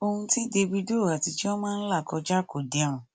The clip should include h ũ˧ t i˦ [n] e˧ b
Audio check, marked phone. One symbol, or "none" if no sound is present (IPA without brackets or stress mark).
d